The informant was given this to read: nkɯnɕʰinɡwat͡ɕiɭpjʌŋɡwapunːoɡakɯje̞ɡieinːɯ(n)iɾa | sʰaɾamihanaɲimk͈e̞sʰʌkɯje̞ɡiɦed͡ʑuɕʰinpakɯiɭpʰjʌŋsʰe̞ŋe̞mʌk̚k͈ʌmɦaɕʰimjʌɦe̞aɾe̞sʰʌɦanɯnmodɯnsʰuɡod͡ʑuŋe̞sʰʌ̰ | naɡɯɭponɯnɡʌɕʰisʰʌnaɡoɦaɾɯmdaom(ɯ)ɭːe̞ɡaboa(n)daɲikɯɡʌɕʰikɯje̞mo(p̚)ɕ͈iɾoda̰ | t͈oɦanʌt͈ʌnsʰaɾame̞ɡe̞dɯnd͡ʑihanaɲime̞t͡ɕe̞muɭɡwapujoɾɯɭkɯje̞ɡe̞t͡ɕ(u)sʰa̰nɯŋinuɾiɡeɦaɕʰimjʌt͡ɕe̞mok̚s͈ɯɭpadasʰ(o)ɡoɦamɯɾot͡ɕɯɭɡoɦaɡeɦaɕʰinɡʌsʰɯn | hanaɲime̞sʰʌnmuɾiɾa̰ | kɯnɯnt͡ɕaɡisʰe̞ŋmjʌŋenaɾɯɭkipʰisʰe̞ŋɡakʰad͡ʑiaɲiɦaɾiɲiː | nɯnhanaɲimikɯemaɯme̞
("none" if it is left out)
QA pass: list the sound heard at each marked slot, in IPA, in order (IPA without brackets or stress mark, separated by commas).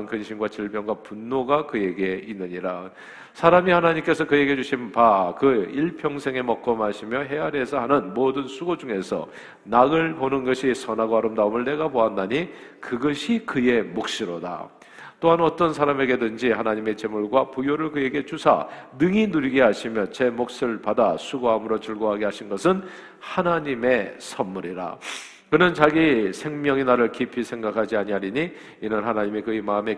ɲ, ɯ, n, k̚, u, u